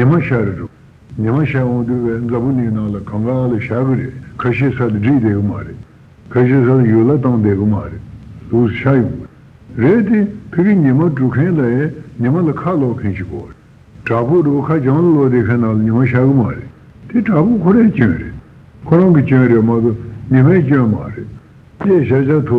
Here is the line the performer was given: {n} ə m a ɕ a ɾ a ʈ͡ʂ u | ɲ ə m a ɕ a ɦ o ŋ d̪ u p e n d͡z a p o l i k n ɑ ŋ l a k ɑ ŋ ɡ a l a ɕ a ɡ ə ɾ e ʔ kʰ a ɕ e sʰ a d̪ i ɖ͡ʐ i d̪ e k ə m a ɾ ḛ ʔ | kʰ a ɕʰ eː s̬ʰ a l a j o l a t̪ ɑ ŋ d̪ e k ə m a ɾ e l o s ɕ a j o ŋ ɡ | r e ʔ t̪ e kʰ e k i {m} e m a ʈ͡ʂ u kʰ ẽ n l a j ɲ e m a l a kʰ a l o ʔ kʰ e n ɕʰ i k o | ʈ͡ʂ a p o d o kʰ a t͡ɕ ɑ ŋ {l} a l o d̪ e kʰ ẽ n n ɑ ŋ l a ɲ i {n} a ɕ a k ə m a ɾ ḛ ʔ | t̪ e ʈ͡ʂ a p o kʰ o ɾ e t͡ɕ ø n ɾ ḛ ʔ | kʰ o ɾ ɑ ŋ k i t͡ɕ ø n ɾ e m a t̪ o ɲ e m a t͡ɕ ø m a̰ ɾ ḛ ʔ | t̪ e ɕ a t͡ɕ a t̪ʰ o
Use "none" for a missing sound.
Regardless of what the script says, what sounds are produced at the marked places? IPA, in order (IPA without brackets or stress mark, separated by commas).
ɲ, ɲ, l, m